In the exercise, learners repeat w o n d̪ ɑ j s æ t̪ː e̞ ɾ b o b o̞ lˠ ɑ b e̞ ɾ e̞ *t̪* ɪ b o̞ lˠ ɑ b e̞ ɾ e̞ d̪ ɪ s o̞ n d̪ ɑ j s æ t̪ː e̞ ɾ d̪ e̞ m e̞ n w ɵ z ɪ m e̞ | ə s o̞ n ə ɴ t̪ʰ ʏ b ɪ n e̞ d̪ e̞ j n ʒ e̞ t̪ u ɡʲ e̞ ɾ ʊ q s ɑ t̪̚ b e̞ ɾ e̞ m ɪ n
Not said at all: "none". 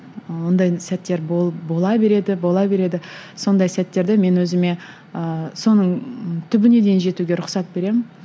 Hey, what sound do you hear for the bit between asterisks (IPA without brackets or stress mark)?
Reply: d̪